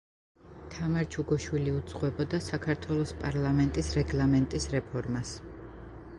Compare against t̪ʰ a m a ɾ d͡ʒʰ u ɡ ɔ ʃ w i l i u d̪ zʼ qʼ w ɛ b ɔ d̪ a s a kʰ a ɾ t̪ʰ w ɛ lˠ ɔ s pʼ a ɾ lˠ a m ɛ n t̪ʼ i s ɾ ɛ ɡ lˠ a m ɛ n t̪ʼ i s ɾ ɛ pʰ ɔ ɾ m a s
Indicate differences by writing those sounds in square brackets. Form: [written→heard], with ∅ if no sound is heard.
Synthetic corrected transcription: t̪ʰ a m a ɾ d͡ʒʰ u ɡ ɔ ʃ w i l i u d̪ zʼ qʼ w ɛ b ɔ d̪ a s a kʰ a ɾ t̪ʰ w ɛ lˠ ɔ s pʼ a ɾ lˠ a m ɛ n t̪ʼ i s ɾ ɛ ɡ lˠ a m ɛ n t̪ʼ i s ɾ ɛ pʰ ɔ ɾ m a s